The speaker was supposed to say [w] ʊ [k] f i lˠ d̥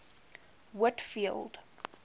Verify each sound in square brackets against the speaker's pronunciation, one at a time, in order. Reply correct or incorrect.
correct, incorrect: t

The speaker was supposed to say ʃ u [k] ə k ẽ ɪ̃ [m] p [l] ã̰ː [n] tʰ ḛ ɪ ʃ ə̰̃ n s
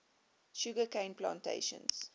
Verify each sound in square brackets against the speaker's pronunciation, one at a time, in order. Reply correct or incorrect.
incorrect: ɡ, incorrect: n, correct, correct

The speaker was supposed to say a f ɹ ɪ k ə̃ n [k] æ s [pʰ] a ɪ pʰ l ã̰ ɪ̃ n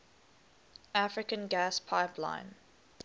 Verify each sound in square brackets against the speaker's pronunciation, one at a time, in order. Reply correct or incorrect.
incorrect: ɡ, correct

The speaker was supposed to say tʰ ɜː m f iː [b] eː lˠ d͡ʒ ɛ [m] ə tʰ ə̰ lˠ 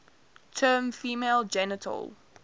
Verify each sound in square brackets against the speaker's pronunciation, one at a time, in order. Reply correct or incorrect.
incorrect: m, incorrect: n

